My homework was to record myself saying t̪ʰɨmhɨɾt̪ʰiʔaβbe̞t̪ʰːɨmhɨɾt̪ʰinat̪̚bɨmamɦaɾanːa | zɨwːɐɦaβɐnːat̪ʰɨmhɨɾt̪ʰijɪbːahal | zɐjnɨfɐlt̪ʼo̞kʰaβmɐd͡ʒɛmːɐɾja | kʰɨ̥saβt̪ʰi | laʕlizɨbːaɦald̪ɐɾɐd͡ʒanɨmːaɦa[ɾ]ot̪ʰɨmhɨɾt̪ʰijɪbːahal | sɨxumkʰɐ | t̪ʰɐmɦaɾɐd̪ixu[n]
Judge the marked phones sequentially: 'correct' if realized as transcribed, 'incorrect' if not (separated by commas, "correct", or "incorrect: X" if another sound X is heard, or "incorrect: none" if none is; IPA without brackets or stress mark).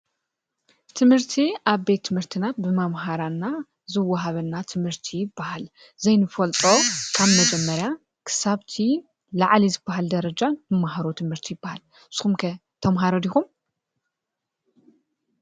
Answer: correct, incorrect: m